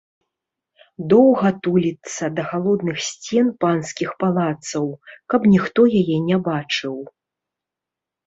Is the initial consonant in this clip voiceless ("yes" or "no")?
no